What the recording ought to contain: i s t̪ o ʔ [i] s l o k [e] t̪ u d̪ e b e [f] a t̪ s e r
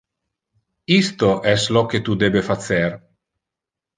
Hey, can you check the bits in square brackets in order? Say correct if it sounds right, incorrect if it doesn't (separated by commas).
incorrect, correct, correct